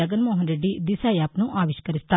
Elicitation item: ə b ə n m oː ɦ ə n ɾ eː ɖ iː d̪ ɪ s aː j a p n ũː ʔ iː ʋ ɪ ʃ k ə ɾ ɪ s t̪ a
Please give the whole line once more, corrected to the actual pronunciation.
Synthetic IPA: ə ɡ ə n m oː ɦ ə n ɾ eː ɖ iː d̪ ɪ s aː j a p n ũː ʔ aː ʋ ɪ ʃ k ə ɾ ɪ s t̪ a

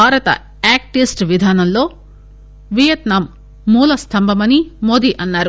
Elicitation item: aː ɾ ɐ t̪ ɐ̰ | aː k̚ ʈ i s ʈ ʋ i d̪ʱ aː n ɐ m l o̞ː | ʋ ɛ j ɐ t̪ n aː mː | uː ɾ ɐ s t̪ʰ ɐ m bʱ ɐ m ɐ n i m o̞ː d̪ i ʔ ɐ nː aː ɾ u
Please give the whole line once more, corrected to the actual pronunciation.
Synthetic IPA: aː ɾ ɐ t̪ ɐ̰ | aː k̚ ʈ i s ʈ ʋ i d̪ʱ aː n ɐ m l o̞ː | ʋ i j ɐ t̪ n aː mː | uː l ɐ s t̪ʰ ɐ m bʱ ɐ m ɐ n i m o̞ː d̪ i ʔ ɐ nː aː ɾ u

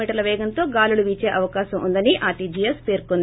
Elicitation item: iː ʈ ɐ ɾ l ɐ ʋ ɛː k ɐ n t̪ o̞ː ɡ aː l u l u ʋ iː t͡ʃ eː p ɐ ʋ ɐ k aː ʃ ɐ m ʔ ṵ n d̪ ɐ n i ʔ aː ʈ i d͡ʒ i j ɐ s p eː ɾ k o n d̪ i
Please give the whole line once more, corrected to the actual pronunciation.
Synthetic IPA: iː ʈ ɐ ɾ l ɐ ʋ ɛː ɡ ɐ n t̪ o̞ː ɡ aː l u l u ʋ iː t͡ʃ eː ʔ ɐ ʋ ɐ k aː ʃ ɐ m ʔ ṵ n d̪ ɐ n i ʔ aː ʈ i d͡ʒ i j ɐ s p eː ɾ k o n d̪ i

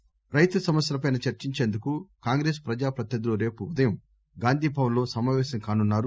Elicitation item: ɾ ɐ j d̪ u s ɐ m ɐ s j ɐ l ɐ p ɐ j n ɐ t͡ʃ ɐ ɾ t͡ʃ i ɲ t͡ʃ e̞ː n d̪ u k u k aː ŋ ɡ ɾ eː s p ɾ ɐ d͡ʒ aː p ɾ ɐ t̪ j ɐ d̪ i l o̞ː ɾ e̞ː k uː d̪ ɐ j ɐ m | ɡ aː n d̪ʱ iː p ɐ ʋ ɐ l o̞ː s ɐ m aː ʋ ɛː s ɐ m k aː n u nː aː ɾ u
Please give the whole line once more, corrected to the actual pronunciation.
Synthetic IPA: ɾ ɐ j t̪ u s ɐ m ɐ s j ɐ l ɐ p ɐ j n ɐ t͡ʃ ɐ ɾ t͡ʃ i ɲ t͡ʃ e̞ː n d̪ u k u k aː ŋ ɡ ɾ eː s p ɾ ɐ d͡ʒ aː p ɾ ɐ t̪ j ɐ d̪ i l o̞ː ɾ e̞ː p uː d̪ ɐ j ɐ m | ɡ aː n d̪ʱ iː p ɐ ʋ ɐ l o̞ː s ɐ m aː ʋ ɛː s ɐ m k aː n u nː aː ɾ u

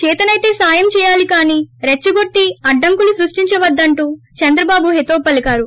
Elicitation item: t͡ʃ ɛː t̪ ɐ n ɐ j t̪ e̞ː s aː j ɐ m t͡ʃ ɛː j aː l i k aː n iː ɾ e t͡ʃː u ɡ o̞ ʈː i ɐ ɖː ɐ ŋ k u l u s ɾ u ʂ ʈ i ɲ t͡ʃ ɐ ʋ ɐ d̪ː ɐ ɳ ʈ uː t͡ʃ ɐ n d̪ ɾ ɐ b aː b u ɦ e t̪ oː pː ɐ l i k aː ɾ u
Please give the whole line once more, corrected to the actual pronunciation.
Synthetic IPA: t͡ʃ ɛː t̪ ɐ n ɐ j t̪ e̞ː s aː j ɐ m t͡ʃ ɛː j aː l i k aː n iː ɾ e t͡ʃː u ɡ o̞ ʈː i ɐ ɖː ɐ ŋ k u l u s ɾ u ʂ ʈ i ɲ t͡ʃ ɐ ʋ ɐ d̪ː ɐ ɳ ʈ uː t͡ʃ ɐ n d̪ ɾ ɐ b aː b u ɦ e t̪ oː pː ɐ l i k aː ɾ u

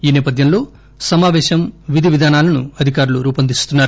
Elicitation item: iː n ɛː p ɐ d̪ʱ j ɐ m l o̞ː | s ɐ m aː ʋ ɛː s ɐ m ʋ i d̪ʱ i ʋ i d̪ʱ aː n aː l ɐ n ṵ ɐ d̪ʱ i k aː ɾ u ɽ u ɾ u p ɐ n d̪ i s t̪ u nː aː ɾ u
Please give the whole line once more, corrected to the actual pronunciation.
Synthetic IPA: iː n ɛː p ɐ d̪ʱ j ɐ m l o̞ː | s ɐ m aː ʋ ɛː ʃ ɐ m ʋ i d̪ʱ i ʋ i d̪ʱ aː n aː l ɐ n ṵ ɐ d̪ʱ i k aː ɾ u l u ɾ uː p ɐ n d̪ i s t̪ u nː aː ɾ u

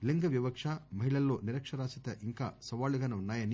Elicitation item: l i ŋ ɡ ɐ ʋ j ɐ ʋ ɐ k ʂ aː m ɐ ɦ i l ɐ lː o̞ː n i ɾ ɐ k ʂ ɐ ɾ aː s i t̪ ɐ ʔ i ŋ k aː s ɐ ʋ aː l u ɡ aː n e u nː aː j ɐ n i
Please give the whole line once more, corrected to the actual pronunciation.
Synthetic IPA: l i ŋ ɡ ɐ ʋ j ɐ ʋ ɐ k ʂ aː m ɐ ɦ i ɭ ɐ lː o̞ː n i ɾ ɐ k ʂ ɐ ɾ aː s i t̪ ɐ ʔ i ŋ k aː s ɐ ʋ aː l u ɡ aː n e u nː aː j ɐ n i

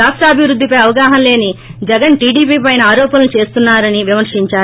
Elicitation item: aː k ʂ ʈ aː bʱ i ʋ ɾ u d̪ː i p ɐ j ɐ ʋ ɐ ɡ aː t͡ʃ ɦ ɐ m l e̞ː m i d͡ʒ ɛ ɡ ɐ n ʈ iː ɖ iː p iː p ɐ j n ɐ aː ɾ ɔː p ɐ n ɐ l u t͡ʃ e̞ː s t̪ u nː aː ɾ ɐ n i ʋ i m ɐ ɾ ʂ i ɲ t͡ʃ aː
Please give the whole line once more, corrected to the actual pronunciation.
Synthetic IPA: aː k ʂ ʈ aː bʱ i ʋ ɾ u d̪ː i p ɐ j ɐ ʋ ɐ ɡ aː ɦ ɐ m l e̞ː n i d͡ʒ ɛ ɡ ɐ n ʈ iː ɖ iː p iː p ɐ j n ɐ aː ɾ ɔː p ɐ n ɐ l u t͡ʃ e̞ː s t̪ u nː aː ɾ ɐ n i ʋ i m ɐ ɾ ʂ i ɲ t͡ʃ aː

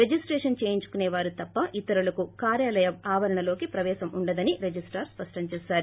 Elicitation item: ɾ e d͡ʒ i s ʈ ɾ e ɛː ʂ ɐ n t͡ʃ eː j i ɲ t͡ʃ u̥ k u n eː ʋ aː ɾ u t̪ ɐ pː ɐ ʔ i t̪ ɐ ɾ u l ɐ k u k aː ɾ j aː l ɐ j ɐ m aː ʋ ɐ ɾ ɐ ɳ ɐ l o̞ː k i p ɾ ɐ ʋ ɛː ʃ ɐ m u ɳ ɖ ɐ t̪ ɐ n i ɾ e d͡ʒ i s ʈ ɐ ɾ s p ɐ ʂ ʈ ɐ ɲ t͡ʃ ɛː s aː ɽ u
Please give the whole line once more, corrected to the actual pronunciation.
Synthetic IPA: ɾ e d͡ʒ i s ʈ ɾ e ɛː ʂ ɐ n t͡ʃ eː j i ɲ t͡ʃ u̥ k u n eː ʋ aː ɾ u t̪ ɐ pː ɐ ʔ i t̪ ɐ ɾ u l ɐ k u k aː ɾ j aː l ɐ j ɐ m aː ʋ ɐ ɾ ɐ ɳ ɐ l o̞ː k i p ɾ ɐ ʋ ɛː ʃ ɐ m u ɳ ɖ ɐ d̪ ɐ n i ɾ e d͡ʒ i s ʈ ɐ ɾ s p ɐ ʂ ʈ ɐ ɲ t͡ʃ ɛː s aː ɾ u

